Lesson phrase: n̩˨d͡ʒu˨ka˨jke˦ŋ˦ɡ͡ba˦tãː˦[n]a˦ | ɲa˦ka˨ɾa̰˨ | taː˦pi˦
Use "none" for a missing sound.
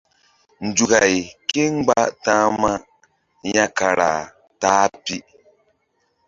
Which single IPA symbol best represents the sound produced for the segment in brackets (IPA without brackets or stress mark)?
m